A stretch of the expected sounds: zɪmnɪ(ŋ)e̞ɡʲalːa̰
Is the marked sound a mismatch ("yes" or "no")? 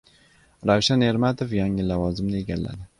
yes